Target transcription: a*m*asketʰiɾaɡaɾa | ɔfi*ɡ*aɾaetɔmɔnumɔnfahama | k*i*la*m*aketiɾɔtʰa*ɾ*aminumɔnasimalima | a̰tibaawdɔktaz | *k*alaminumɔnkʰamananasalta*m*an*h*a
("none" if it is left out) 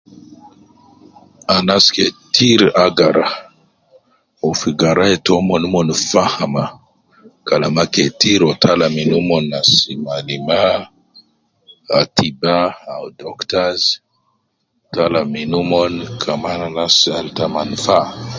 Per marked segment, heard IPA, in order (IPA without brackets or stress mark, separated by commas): n, ɡ, a, m, l, t, m, f